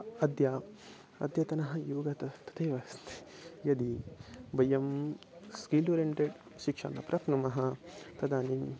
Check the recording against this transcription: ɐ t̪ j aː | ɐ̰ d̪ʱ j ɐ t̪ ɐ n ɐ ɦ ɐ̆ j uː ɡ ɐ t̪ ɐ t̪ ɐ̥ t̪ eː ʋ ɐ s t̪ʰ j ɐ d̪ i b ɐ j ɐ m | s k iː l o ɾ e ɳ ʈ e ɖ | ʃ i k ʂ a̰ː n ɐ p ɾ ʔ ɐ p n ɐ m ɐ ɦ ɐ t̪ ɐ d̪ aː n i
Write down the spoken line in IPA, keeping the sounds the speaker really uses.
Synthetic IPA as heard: ɐ d̪ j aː | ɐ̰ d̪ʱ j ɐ t̪ ɐ n ɐ ɦ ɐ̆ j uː ɡ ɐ t̪ ɐ t̪ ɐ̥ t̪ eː ʋ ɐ s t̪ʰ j ɐ d̪ i b ɐ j ɐ m | s k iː l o ɾ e ɳ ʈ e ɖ | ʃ i k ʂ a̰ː n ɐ p ɾ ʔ ɐ p n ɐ m ɐ ɦ ɐ t̪ ɐ d̪ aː n i